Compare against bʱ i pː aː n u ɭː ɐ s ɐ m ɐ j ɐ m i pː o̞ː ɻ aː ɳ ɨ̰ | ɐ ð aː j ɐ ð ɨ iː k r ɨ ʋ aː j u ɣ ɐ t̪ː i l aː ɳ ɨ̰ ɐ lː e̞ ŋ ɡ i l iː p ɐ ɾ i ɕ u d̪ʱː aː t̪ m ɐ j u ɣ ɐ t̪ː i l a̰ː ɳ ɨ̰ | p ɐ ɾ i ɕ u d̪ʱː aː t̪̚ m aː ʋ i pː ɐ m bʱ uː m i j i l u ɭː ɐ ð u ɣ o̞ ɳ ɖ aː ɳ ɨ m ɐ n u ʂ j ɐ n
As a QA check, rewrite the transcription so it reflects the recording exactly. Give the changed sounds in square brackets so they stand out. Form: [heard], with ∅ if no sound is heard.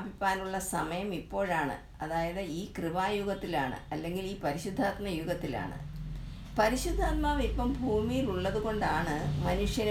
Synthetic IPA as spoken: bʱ i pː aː n u ɭː ɐ s ɐ m ɐ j ɐ m i pː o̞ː ɻ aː ɳ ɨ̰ | ɐ ð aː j ɐ ð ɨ iː k r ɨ ʋ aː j u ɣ ɐ t̪ː i l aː ɳ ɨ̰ ɐ lː e̞ ŋ ɡ i l iː p ɐ ɾ i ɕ u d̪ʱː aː t̪ m ɐ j u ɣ ɐ t̪ː i l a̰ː ɳ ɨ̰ | p ɐ ɾ i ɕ u d̪ʱː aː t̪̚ m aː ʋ i pː ɐ m bʱ uː m i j i l u ɭː ɐ ð u ɣ o̞ ɳ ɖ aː ɳ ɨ m ɐ n u ʂ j ɐ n